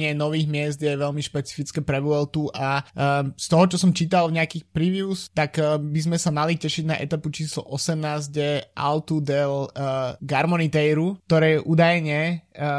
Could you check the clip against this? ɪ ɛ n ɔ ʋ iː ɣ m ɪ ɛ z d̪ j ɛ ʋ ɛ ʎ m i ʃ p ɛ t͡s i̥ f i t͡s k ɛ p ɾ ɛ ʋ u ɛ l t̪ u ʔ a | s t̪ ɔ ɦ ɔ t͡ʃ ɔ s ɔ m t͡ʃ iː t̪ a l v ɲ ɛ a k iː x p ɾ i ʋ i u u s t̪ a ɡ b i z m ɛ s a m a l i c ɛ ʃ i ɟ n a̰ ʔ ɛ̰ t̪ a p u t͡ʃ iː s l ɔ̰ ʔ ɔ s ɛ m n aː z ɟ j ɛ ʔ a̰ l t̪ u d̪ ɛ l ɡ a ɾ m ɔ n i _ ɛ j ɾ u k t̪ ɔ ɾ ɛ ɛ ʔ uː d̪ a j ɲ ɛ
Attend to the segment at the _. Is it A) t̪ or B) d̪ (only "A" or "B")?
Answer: A